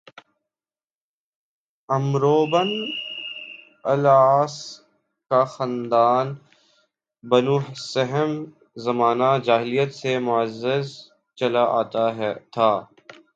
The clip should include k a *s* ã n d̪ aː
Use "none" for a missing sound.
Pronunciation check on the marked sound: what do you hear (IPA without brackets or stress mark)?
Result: x